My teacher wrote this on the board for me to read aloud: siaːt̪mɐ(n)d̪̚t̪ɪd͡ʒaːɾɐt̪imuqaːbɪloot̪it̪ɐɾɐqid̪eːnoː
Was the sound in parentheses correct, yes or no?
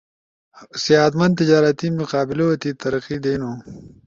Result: yes